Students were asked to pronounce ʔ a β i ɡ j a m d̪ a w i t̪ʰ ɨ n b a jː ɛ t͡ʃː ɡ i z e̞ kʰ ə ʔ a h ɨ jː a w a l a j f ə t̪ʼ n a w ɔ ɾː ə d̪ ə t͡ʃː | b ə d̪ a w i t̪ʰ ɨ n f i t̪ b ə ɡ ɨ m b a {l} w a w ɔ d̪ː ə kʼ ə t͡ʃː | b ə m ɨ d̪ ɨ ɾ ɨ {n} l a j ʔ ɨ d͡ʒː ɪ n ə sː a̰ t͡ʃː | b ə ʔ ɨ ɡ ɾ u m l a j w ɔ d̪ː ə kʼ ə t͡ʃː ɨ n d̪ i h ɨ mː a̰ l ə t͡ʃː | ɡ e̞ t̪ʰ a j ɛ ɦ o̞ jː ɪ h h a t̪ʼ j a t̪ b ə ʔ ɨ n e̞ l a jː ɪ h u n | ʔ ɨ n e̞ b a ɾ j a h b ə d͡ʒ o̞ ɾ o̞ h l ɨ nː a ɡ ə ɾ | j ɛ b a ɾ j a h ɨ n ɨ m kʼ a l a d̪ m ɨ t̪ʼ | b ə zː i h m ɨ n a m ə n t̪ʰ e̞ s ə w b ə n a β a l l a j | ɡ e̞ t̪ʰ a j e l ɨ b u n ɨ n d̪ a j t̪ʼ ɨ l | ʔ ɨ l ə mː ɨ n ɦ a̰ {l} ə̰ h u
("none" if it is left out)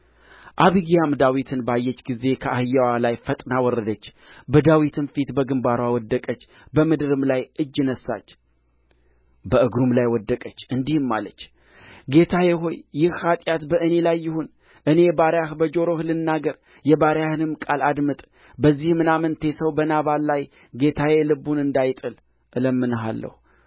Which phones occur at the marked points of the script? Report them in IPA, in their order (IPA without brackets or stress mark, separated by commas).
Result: ɾ, m, lː